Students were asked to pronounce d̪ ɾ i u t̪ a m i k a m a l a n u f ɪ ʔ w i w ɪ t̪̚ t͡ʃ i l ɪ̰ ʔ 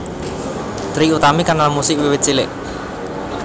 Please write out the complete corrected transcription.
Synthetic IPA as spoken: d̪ ɾ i u t̪ a m i k a n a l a m u s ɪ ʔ w i w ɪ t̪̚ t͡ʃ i l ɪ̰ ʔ